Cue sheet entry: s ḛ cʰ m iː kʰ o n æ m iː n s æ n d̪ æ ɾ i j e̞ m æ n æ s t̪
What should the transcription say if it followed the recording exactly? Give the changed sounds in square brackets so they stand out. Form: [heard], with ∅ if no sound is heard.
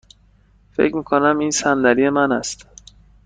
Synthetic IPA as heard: [f] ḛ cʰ m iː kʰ o n æ m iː n s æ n d̪ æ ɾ i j e̞ m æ n æ s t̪